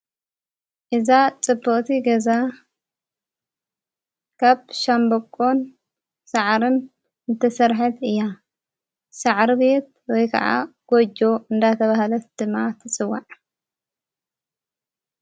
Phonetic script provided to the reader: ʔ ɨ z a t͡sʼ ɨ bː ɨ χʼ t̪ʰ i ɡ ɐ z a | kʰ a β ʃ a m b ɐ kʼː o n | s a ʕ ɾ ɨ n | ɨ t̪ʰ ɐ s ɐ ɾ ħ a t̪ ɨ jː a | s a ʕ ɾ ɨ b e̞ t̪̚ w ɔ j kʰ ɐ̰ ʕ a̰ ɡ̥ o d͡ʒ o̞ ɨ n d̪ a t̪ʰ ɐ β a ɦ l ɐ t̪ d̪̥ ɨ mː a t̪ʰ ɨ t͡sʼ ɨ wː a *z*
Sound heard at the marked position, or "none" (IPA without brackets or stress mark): ʕ